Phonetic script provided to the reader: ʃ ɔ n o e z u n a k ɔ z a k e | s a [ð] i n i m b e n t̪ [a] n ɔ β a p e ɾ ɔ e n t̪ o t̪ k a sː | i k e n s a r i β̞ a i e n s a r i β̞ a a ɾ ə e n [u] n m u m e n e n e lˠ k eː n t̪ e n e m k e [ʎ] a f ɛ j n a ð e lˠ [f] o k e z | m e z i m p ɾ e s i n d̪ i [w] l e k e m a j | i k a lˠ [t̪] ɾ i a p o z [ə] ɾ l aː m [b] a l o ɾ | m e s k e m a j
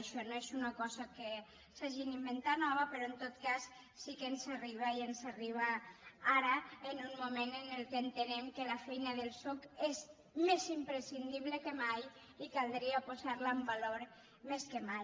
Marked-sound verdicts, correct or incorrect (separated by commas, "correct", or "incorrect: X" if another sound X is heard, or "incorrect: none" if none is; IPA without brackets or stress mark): incorrect: ʒ, correct, correct, incorrect: l, incorrect: s, incorrect: β, incorrect: d̪, incorrect: a, correct